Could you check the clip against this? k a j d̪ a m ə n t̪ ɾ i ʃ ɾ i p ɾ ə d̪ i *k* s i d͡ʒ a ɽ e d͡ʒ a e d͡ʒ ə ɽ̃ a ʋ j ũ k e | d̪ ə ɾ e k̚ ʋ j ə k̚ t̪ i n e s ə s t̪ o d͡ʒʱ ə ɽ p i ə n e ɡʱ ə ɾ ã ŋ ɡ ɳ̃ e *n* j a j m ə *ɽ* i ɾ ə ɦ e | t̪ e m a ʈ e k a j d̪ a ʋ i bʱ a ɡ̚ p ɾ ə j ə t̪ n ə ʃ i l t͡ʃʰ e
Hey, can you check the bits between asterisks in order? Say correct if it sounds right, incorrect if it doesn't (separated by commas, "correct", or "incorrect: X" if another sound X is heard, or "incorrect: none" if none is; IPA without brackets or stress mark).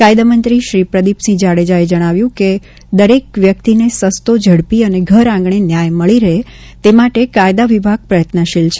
incorrect: p, correct, incorrect: ɭ